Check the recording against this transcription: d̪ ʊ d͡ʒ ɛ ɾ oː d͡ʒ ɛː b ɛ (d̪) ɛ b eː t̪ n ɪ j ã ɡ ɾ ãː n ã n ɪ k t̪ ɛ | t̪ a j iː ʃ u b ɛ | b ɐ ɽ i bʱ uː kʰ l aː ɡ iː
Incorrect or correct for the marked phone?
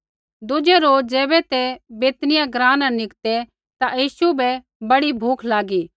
incorrect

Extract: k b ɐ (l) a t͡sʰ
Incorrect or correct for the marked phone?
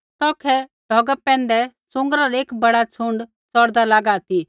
incorrect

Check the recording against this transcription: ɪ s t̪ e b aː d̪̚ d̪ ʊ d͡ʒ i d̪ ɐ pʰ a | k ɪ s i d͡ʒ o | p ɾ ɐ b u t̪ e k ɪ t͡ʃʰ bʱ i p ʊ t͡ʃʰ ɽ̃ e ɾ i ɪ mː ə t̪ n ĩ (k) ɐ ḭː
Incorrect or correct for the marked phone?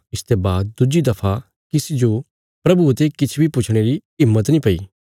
incorrect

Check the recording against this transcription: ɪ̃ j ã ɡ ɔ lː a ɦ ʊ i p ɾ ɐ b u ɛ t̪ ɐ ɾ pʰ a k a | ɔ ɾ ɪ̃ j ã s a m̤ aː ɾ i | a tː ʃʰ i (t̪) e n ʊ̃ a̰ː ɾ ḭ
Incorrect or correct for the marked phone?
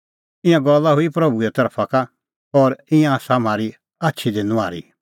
incorrect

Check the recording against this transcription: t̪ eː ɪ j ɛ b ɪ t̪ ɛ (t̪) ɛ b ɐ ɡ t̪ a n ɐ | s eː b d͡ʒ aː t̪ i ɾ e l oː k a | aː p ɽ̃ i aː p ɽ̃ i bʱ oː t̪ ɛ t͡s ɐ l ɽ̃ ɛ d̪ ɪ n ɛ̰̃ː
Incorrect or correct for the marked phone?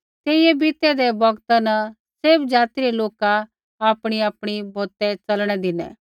incorrect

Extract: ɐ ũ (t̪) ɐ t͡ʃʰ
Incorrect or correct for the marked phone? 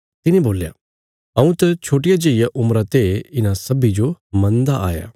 correct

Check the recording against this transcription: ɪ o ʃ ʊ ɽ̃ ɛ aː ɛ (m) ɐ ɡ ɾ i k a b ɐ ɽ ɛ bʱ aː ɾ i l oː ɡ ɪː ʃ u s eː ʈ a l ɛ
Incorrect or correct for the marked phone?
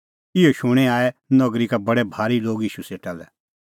incorrect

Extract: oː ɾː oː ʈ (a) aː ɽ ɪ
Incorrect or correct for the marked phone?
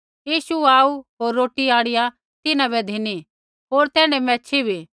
incorrect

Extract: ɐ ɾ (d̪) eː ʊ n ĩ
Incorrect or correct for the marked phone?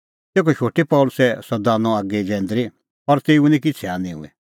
incorrect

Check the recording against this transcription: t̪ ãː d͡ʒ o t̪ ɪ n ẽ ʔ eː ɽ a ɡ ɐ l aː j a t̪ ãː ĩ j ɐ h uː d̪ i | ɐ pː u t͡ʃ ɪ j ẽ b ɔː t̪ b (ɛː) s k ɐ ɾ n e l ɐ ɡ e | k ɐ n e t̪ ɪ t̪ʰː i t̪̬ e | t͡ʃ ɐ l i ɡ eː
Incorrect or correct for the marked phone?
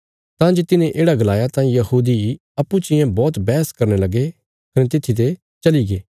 correct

